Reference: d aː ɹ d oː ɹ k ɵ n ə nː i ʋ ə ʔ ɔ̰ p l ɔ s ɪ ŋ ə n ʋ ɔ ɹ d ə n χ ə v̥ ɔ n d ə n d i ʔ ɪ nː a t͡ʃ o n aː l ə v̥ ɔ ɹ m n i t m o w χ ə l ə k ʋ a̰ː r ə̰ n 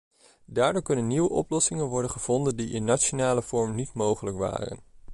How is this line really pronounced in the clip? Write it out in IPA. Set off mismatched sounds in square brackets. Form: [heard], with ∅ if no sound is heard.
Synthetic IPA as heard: d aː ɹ d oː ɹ k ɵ n ə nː i ʋ ə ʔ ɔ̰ p l ɔ s ɪ ŋ ə n ʋ ɔ ɹ d ə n χ ə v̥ ɔ n d ə n d i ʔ ɪ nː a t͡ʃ o n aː l ə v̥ ɔ ɹ m n i t m o w χ ə l ə k ʋ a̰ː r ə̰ n